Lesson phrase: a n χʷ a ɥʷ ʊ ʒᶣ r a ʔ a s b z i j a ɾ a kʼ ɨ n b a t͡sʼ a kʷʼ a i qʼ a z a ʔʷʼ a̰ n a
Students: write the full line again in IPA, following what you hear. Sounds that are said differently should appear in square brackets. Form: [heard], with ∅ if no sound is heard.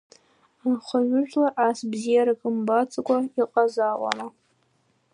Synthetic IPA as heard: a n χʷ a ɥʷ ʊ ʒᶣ [l] a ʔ a s b z i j a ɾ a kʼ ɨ [m] b a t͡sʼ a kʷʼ a i qʼ a z a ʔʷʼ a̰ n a